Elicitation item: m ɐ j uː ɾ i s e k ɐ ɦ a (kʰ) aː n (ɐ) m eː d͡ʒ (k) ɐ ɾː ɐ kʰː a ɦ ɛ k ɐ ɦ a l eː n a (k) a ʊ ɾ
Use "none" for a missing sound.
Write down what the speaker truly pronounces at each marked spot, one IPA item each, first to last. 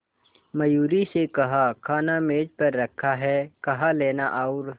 kʰ, a, p, ʔ

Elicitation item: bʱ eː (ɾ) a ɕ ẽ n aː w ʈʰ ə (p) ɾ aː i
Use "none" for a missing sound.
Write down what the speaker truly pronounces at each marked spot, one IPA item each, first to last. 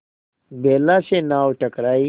l, k

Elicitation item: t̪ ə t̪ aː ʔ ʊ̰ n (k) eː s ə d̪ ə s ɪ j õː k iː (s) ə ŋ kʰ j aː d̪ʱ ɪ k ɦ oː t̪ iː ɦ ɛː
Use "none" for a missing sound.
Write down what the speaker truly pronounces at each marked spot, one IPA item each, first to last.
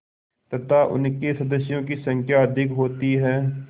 k, s

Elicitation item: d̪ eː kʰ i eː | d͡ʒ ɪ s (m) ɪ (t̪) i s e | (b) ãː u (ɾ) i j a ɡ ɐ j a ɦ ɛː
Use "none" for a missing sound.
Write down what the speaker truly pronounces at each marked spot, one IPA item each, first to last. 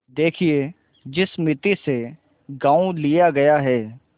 m, t̪, ɡ, l

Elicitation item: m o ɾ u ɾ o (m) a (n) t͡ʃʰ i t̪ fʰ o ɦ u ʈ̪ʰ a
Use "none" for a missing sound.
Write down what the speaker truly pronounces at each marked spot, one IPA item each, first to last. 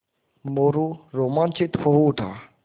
m, n

